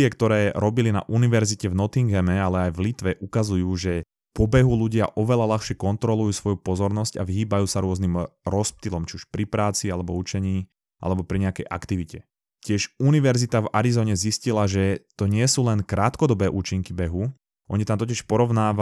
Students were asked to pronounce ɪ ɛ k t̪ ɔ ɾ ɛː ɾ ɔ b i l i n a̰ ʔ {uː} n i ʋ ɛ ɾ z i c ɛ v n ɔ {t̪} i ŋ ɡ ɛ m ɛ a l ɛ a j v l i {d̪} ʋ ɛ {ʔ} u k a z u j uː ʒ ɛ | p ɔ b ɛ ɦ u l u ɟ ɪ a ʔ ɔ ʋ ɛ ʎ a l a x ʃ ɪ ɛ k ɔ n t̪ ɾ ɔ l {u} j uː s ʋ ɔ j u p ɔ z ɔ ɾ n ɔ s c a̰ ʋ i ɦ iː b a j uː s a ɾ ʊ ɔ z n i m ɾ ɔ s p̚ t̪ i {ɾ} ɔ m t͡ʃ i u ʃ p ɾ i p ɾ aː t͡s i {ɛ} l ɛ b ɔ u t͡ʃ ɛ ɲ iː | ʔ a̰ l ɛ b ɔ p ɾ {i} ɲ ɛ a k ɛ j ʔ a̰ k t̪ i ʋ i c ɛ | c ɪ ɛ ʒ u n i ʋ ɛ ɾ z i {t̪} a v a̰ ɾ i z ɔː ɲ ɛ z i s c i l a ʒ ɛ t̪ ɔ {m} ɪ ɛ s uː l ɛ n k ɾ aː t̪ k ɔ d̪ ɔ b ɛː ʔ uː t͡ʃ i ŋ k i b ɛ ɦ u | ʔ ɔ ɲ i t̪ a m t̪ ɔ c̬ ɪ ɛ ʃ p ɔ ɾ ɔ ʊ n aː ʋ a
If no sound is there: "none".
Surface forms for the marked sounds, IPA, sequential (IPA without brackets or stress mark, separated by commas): u, t̪, t̪, ʔ, u, l, a, i, t̪, ɲ